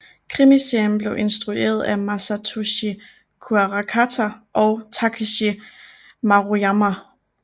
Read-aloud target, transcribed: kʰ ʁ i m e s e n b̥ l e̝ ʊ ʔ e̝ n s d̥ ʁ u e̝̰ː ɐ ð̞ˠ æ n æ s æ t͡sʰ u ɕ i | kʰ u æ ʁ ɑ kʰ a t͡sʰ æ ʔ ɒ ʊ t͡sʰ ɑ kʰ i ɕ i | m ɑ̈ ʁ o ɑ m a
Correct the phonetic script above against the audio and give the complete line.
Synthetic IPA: kʰ ʁ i m i s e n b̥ l e̝ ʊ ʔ e̝ n s d̥ ʁ u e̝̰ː ɐ ð̞ˠ æ m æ s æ t͡sʰ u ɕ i | kʰ u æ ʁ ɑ kʰ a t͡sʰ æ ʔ ɒ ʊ t͡sʰ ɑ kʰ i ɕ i | m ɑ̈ ʁ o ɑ m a